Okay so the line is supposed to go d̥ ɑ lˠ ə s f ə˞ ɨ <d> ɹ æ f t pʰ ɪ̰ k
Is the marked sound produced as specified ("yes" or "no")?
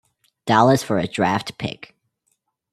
yes